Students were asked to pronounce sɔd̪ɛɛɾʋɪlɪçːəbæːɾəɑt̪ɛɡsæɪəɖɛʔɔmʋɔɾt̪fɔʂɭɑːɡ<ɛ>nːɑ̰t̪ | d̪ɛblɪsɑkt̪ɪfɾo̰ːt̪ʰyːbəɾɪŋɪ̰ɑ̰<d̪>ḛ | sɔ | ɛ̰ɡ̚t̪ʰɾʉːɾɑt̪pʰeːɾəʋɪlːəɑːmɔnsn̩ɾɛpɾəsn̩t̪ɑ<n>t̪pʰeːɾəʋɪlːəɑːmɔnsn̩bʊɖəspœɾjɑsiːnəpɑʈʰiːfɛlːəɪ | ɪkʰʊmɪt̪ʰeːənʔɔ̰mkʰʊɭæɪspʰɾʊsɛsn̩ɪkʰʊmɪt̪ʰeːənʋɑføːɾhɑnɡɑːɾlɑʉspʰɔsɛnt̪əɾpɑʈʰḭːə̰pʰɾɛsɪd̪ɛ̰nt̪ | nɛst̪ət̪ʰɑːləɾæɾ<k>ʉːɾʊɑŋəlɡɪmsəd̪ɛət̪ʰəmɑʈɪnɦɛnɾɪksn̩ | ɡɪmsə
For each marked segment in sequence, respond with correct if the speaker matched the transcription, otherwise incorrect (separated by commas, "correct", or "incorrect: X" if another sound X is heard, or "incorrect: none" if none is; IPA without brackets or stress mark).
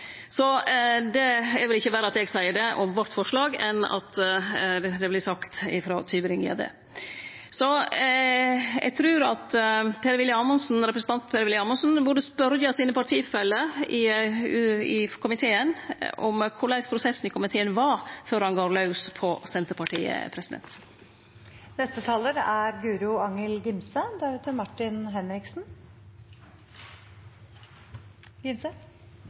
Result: correct, correct, correct, incorrect: ɡ